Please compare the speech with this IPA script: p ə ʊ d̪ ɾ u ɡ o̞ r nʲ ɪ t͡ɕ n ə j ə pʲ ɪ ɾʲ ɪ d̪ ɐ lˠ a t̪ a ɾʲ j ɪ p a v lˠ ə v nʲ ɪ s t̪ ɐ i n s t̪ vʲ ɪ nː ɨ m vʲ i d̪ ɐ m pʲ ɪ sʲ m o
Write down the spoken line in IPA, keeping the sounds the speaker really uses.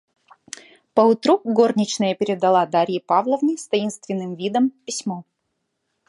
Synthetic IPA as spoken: p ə ʊ t̪ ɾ u ɡ o̞ r nʲ ɪ t͡ɕ n ə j ə pʲ ɪ ɾʲ ɪ d̪ ɐ lˠ a d̪ a ɾʲ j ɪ p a v lˠ ə v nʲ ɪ s t̪ ɐ i n s t̪ vʲ ɪ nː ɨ m vʲ i d̪ ə m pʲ ɪ sʲ m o